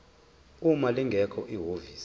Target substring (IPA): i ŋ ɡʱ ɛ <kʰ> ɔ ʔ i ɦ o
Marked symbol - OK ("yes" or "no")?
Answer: yes